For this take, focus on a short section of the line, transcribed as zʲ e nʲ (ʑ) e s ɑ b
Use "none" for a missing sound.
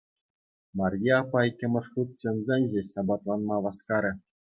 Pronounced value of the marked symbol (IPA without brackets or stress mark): ʑ